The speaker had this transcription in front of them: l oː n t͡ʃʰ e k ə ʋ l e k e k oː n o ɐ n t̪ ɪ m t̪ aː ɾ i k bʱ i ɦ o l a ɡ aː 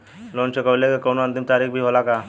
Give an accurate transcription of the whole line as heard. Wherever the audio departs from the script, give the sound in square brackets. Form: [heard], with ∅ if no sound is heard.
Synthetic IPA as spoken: l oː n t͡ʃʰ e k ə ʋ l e k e k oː n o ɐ n t̪ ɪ m t̪ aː ɾ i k bʱ i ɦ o l a [k] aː